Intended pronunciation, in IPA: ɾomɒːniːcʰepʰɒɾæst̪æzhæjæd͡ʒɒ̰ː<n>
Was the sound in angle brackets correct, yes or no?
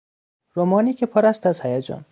yes